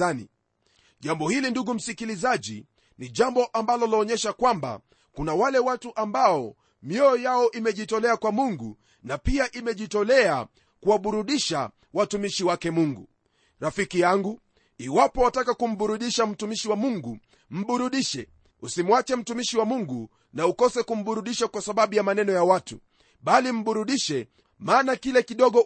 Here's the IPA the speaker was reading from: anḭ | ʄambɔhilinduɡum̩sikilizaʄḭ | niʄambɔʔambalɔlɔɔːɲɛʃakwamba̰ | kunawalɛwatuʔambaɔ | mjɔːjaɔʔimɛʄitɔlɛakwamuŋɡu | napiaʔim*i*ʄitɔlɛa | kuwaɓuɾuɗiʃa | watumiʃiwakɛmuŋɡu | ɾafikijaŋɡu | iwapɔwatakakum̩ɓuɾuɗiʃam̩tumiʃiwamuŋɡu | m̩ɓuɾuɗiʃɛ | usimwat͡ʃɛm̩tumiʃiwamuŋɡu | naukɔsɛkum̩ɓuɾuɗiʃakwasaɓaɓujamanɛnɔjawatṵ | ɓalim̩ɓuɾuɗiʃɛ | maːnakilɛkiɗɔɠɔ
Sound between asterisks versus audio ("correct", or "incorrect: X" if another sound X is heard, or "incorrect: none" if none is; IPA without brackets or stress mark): incorrect: ɛ